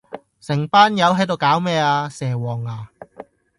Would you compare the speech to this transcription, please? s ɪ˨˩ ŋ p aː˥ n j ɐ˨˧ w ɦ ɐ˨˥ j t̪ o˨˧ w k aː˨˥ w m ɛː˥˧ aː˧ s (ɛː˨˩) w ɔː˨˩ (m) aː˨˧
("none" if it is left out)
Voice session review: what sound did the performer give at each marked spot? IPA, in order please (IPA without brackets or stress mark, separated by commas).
ɛː˨˩, ŋ